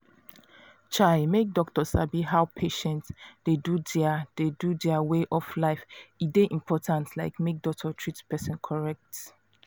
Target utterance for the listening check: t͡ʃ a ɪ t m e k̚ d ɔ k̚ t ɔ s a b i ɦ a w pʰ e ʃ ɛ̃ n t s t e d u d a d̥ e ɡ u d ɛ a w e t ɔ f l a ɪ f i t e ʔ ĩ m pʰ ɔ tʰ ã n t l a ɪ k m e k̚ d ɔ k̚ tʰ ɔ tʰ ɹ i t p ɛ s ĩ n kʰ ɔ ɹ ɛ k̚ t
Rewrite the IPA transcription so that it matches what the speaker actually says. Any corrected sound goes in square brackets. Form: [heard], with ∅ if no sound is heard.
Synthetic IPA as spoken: t͡ʃ a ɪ [∅] m e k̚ d ɔ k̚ t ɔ s a b i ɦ a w pʰ e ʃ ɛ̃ n t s [d] e d u d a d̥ e [d] u d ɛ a w e [ʔ] ɔ f l a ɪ f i [d] e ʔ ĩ m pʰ ɔ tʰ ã n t l a ɪ k m e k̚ d ɔ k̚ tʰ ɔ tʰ ɹ i t p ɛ s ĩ n kʰ ɔ ɹ ɛ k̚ t